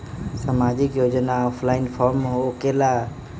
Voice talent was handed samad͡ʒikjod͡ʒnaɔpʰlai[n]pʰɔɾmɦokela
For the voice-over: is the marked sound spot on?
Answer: yes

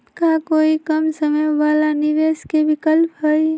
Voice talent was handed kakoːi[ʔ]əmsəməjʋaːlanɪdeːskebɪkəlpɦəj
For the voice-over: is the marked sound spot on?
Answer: no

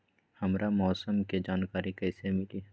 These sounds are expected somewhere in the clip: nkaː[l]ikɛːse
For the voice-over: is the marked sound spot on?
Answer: no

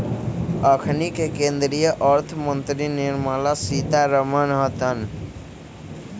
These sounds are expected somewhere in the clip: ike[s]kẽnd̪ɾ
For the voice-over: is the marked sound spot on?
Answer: no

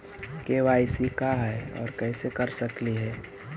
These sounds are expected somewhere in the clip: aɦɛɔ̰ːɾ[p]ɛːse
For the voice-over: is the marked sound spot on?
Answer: no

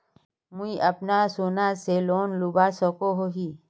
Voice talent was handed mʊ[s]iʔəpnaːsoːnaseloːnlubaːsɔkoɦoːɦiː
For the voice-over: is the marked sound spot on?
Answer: no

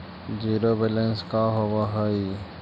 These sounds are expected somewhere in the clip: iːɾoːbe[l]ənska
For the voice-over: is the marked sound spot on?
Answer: yes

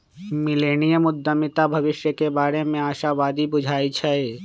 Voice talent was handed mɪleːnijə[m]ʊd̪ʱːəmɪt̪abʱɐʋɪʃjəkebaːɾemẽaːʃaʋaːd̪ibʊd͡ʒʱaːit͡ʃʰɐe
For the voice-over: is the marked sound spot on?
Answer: yes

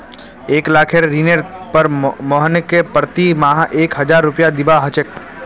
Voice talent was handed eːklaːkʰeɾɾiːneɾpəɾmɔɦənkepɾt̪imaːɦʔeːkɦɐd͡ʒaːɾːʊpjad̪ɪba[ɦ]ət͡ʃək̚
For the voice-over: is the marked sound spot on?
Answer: yes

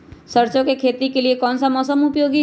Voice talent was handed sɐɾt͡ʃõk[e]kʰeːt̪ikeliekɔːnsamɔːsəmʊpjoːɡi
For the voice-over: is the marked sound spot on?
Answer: yes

